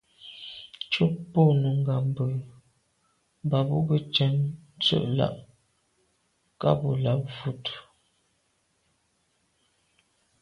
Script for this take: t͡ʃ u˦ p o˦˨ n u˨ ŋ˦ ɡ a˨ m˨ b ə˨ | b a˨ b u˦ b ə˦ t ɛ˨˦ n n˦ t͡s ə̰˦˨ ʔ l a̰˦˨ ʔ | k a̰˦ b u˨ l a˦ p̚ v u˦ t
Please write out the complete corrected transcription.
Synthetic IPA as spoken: t͡ʃ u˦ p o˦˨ n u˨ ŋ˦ ɡ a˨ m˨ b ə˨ | b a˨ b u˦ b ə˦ t͡ʃ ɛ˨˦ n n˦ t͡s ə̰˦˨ ʔ l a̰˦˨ ʔ | k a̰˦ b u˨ l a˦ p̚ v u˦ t